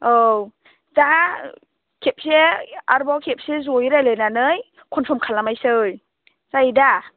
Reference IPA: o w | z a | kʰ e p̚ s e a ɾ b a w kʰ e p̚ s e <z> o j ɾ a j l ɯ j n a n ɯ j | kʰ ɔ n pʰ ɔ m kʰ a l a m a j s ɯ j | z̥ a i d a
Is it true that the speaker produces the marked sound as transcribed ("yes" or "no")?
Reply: yes